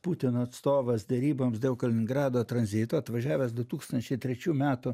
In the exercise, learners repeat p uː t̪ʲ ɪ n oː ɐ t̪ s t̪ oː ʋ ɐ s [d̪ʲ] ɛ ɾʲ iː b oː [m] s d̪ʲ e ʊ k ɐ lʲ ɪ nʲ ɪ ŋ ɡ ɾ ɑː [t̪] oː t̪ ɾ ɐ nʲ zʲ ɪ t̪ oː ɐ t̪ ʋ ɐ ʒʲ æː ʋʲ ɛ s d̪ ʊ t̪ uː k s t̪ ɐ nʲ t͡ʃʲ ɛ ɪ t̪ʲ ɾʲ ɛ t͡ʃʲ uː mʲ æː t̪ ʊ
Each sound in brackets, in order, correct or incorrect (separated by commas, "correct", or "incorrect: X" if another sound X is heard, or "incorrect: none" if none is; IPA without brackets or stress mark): correct, correct, incorrect: d̪